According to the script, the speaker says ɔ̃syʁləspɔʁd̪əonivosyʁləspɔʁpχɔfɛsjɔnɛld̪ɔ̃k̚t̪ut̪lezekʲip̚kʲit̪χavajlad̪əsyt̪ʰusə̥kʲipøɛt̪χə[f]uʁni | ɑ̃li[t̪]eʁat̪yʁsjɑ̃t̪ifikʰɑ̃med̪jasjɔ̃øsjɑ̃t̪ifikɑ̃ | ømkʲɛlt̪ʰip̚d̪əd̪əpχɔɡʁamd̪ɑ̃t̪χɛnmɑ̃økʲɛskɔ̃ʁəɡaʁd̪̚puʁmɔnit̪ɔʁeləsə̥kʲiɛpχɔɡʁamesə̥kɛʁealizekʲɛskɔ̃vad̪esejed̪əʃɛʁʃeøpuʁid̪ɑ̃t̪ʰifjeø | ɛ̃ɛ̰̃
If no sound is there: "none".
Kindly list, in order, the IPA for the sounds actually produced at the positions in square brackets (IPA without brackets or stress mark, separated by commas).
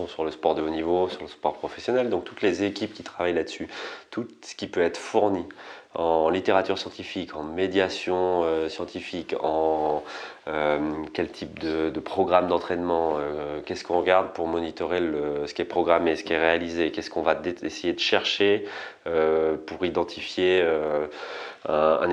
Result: f, t̪